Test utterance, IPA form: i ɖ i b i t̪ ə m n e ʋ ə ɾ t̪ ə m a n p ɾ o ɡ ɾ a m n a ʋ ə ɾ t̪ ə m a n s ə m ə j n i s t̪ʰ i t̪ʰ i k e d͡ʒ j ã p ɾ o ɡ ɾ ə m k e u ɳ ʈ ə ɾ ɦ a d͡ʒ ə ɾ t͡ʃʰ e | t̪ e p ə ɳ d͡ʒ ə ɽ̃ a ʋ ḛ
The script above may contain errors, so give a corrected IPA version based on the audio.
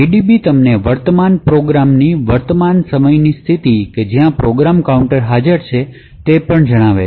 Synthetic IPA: i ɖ i b i t̪ ə m n e ʋ ə ɾ t̪ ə m a n p ɾ o ɡ ɾ a m n i ʋ ə ɾ t̪ ə m a n s ə m ə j n i s t̪ʰ i t̪ i k e d͡ʒ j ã p ɾ o ɡ ɾ a m k a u ɳ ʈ ə ɾ ɦ a d͡ʒ ə ɾ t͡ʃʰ e | t̪ e p ə ɳ d͡ʒ ə ɽ̃ a ʋ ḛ